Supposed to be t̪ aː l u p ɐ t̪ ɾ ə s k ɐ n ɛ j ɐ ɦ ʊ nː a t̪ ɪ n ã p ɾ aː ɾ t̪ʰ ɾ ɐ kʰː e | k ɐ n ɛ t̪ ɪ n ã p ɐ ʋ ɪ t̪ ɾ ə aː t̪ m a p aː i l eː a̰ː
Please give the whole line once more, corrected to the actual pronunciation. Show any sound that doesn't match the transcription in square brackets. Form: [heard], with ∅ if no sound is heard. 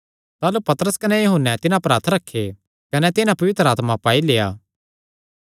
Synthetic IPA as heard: t̪ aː l u p ɐ t̪ ɾ ə s k ɐ n ɛ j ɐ ɦ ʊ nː [ɛ] t̪ ɪ n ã p ɾ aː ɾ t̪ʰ ɾ ɐ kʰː e | k ɐ n ɛ t̪ ɪ n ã p ɐ ʋ ɪ t̪ ɾ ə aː t̪ m a p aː i l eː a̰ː